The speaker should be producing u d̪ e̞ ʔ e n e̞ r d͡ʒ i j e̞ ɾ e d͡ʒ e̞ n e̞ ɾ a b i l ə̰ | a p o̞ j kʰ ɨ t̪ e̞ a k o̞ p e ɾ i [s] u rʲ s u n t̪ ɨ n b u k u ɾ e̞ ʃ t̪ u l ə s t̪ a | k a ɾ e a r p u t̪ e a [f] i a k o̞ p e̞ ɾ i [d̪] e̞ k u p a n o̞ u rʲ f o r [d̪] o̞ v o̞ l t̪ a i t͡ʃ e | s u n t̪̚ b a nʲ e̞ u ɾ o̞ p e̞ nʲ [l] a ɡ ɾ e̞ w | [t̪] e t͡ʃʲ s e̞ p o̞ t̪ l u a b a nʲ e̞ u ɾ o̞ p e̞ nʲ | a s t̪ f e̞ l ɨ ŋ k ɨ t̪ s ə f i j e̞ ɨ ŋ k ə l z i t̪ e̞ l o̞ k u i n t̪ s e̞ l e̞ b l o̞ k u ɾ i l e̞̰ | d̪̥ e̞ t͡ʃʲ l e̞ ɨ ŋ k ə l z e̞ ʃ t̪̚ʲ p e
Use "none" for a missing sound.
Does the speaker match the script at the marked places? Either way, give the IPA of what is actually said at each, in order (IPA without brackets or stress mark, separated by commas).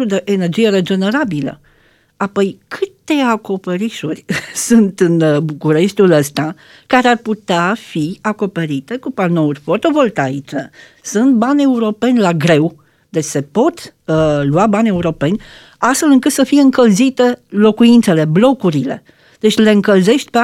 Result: ʃ, f, t̪, t̪, l, d̪